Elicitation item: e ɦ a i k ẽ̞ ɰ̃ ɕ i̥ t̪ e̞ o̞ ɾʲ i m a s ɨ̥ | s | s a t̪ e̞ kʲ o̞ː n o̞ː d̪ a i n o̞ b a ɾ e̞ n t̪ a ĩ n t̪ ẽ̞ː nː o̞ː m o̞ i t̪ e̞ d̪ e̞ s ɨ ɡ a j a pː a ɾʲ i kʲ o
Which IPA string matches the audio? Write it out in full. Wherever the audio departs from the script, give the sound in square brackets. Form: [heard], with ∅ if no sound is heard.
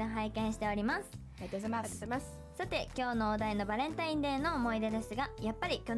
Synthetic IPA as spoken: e ɦ a i k ẽ̞ ɰ̃ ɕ i̥ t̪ e̞ o̞ ɾʲ i m a s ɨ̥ | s | s a t̪ e̞ kʲ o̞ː n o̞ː d̪ a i n o̞ b a ɾ [ẽ̞] n t̪ a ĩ n [d̪] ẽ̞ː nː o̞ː m o̞ i [d̪] e̞ d̪ e̞ s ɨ ɡ a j a pː a ɾʲ i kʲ o